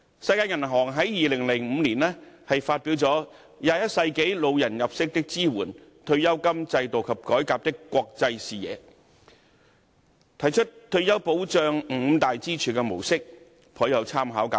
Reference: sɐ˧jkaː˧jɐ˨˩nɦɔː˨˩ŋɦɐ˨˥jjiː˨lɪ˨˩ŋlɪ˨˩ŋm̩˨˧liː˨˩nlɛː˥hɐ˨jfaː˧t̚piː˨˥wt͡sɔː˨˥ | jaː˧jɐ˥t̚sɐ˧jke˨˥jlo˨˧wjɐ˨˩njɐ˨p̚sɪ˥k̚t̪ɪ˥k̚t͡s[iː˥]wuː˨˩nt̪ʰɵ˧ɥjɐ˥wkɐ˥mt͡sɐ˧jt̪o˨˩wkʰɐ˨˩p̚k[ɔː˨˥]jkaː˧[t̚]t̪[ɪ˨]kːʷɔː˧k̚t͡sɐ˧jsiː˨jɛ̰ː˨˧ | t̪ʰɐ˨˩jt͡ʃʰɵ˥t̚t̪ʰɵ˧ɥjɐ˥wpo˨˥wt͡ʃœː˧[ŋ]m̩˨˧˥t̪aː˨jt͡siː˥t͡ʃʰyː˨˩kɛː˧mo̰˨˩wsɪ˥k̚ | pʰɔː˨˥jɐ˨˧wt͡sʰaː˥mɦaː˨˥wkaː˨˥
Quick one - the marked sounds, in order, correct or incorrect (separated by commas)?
correct, correct, incorrect, incorrect, correct